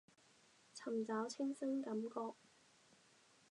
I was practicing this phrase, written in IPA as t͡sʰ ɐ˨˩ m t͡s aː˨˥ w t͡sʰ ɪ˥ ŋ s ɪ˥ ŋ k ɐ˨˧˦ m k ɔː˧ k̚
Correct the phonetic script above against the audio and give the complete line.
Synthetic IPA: t͡sʰ ɐ˨˩ m t͡s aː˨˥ w t͡sʰ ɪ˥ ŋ s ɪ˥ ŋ k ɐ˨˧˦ m k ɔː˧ k̚